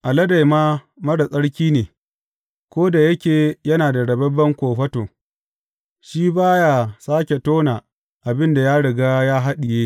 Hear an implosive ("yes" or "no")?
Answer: yes